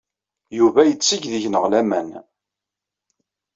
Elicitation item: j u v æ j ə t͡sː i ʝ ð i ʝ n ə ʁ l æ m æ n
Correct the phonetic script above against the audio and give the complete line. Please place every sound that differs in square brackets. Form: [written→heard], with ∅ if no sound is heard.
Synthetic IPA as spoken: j u v æ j ə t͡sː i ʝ ð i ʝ n ə ʁ l æ m æ n